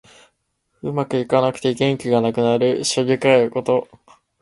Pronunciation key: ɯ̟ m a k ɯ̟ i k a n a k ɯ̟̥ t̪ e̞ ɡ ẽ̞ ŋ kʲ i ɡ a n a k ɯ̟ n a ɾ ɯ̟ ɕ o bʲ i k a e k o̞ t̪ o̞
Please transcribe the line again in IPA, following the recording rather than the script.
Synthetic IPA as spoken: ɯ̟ m a k ɯ̟ i k a n a k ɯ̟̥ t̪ e̞ ɡ ẽ̞ ŋ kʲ i ɡ a n a k ɯ̟ n a ɾ ɯ̟ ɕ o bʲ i k a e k o̞ t̪ o̞